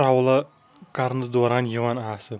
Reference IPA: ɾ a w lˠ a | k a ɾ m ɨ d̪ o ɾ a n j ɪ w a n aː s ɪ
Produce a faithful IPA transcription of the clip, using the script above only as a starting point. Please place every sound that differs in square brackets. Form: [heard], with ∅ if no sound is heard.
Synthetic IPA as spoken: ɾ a w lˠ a | k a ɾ [n] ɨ d̪ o ɾ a n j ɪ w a n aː s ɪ